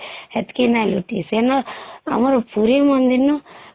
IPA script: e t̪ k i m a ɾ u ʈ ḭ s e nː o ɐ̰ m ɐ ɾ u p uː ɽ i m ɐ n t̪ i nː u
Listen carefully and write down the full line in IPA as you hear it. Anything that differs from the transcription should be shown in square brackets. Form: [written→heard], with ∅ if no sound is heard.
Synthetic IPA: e t̪ k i [m→n] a [ɾ→l] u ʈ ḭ s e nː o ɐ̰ m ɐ ɾ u p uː [ɽ→ɾ] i m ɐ n [t̪→d̪] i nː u